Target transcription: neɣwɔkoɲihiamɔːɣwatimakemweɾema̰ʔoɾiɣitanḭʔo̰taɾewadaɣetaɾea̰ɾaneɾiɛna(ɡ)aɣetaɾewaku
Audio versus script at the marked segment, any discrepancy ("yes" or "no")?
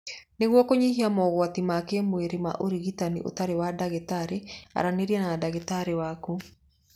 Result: yes